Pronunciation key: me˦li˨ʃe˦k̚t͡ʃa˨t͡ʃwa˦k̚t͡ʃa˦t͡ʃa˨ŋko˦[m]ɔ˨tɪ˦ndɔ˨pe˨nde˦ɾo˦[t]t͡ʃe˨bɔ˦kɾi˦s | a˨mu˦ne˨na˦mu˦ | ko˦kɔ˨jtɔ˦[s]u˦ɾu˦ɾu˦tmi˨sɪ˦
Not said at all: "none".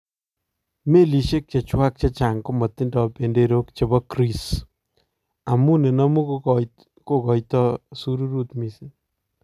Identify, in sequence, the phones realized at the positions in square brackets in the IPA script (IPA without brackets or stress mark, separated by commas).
m, k, s